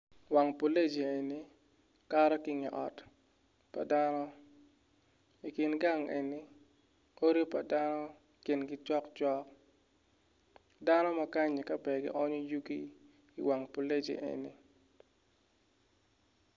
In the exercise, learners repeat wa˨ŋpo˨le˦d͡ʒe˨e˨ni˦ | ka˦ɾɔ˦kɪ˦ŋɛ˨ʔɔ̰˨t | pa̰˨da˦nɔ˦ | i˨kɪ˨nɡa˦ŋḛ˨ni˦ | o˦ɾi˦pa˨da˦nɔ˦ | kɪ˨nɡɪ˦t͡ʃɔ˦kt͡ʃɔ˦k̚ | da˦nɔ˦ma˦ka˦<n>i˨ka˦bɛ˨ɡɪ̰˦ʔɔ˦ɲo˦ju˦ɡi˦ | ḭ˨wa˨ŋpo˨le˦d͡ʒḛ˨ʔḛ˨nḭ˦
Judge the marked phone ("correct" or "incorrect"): incorrect